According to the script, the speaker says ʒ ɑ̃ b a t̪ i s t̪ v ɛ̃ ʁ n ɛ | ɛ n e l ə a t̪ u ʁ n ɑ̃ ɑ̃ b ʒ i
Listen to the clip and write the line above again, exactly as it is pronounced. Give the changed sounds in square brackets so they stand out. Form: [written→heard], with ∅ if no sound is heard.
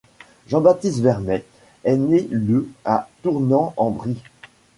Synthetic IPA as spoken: ʒ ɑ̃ b a t̪ i s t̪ v [ɛ̃→ɛ] ʁ n ɛ | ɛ n e l ə a t̪ u ʁ n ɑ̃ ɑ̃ b [ʒ→ʁ] i